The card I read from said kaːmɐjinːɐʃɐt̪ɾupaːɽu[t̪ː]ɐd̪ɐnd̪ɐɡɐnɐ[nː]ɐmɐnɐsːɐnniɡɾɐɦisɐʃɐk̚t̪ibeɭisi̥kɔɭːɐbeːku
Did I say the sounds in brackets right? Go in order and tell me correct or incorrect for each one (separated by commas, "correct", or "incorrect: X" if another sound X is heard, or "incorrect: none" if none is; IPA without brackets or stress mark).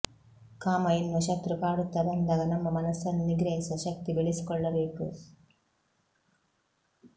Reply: correct, incorrect: mː